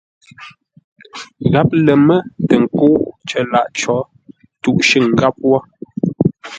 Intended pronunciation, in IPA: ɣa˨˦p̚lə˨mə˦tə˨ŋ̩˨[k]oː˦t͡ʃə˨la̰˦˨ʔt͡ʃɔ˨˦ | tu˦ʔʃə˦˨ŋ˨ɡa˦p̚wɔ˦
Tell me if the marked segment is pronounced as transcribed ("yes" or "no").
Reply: yes